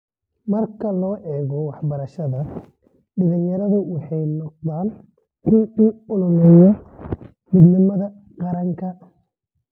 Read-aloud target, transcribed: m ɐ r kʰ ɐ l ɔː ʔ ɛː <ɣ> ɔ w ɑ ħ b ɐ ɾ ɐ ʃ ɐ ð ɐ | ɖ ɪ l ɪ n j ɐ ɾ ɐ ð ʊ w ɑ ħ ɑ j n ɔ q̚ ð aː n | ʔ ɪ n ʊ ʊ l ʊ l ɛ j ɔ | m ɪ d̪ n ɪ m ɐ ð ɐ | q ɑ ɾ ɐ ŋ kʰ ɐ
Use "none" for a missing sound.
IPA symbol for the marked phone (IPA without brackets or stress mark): ɣ